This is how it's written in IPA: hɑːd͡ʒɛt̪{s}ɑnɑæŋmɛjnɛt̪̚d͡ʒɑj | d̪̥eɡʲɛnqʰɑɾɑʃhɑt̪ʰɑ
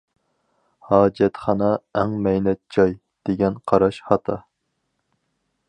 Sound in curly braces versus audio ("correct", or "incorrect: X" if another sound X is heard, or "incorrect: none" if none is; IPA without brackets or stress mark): incorrect: χ